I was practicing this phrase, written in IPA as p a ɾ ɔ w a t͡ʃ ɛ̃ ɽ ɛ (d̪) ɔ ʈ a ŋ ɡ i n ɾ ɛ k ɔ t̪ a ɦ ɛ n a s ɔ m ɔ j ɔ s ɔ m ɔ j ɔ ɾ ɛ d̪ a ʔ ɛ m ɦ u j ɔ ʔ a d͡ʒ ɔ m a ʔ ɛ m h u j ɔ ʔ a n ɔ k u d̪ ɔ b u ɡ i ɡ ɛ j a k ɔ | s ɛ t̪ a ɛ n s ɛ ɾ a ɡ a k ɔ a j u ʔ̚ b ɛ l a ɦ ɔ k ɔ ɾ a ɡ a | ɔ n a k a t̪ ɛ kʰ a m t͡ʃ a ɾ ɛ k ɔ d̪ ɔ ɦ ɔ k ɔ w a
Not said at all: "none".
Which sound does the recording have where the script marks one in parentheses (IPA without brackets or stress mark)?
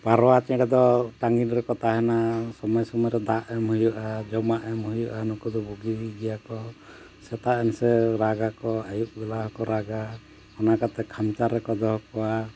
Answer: d̪